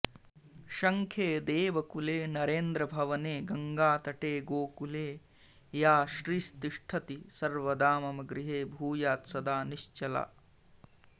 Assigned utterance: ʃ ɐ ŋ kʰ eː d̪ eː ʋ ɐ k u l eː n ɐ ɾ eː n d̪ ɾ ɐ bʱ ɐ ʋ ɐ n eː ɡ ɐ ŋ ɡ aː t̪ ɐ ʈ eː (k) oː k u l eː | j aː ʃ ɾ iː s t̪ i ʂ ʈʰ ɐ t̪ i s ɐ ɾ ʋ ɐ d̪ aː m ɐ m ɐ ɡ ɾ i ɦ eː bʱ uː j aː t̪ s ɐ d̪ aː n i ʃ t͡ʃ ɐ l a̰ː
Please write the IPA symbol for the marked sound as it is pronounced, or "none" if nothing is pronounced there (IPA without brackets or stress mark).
ɡ